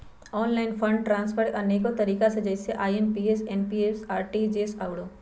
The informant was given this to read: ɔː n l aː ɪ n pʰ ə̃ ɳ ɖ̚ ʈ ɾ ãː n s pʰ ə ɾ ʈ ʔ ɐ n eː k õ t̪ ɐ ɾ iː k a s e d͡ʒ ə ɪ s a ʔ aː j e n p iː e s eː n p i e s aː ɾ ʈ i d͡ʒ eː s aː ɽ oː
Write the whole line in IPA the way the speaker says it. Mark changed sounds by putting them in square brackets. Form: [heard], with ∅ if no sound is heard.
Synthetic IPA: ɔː n l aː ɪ n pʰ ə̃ ɳ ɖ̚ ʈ ɾ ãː n s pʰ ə ɾ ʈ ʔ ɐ n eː k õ t̪ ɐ ɾ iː k a s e d͡ʒ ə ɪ s [e] ʔ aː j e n p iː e s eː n p i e s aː ɾ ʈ i d͡ʒ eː s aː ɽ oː